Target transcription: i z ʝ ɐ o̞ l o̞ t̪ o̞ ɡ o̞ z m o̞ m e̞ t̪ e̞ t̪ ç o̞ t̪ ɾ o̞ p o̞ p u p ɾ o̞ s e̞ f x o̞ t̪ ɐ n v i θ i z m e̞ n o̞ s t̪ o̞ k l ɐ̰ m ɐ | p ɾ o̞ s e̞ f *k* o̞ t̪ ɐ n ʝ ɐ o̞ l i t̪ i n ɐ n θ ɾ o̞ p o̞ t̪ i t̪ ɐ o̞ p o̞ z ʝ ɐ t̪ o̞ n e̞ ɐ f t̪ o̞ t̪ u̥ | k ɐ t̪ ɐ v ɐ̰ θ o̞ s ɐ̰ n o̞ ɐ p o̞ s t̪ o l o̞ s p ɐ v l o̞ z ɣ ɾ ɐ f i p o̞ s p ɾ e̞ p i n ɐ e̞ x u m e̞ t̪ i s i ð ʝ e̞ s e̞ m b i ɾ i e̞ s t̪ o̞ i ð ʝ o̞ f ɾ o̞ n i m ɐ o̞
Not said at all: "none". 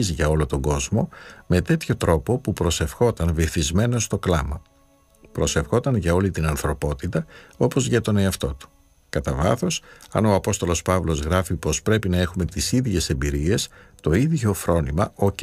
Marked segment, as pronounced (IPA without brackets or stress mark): x